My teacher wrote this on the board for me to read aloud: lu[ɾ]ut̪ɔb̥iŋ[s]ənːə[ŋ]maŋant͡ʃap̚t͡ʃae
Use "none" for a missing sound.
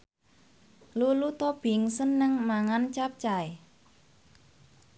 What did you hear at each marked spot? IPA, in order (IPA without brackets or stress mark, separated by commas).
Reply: l, s, ŋ